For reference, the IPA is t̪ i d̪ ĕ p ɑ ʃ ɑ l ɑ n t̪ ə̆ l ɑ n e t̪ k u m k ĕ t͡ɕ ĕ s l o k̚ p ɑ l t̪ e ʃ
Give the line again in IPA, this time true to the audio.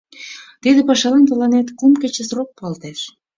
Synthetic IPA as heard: t̪ i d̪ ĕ p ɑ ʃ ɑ l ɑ n t̪ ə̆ l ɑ n e t̪ k u m k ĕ t͡ɕ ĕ s r o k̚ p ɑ l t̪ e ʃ